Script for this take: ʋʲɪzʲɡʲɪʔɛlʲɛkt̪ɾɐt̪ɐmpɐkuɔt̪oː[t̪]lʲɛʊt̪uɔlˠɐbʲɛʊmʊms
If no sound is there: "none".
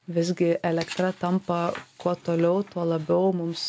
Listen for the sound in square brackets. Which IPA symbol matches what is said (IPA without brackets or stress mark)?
none